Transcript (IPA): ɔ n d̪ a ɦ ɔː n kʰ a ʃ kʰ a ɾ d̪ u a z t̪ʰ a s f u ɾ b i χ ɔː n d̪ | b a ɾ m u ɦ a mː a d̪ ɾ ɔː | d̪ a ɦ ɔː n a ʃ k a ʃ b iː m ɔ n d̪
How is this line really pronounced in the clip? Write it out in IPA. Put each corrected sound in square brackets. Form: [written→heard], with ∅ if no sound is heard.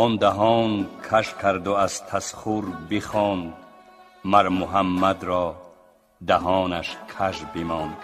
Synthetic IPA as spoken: ɔ n d̪ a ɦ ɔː n kʰ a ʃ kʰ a ɾ d̪ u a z t̪ʰ a s [f→χ] u ɾ b i χ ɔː n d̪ | [b→m] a ɾ m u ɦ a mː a d̪ ɾ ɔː | d̪ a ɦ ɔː n a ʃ [k→kʰ] a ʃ b [iː→i] m ɔ n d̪